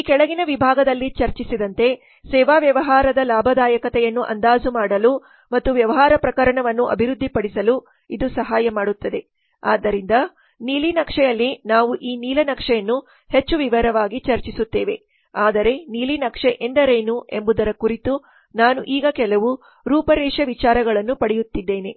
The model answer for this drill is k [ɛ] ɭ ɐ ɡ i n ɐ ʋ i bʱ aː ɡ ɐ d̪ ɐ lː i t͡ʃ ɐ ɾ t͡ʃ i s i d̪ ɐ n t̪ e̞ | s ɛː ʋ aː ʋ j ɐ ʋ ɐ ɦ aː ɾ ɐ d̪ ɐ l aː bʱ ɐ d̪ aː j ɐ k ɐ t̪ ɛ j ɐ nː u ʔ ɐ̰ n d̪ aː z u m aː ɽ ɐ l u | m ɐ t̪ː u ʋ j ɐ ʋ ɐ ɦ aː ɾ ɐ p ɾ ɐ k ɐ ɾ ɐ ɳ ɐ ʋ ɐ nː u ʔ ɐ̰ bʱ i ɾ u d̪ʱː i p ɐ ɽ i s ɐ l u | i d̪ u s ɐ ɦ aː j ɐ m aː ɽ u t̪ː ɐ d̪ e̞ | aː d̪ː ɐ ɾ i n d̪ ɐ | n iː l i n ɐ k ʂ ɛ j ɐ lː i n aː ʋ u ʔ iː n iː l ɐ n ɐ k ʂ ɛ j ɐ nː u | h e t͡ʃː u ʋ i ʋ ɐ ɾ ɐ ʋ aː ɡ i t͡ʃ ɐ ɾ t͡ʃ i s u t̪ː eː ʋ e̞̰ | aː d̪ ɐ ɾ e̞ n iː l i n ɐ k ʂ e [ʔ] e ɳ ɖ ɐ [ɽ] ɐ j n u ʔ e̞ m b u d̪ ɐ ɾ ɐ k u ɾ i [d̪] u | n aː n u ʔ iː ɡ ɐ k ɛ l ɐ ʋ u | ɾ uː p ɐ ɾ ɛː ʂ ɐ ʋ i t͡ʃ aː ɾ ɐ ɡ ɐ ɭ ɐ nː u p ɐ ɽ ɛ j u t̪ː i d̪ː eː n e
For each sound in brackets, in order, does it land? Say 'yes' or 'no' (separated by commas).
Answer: yes, yes, no, no